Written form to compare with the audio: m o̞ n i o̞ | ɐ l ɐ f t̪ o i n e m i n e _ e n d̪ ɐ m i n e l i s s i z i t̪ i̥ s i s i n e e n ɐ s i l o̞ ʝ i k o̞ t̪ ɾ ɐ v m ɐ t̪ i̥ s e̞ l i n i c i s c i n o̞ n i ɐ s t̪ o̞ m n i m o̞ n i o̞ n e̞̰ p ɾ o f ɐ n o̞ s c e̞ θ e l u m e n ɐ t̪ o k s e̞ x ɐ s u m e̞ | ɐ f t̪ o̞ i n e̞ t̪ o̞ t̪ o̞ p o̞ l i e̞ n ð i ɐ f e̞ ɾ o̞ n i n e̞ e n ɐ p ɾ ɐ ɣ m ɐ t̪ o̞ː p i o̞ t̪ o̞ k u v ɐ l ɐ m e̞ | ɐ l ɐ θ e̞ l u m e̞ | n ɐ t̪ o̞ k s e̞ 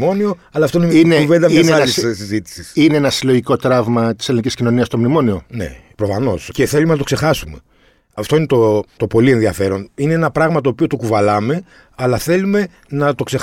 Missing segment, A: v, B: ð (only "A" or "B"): A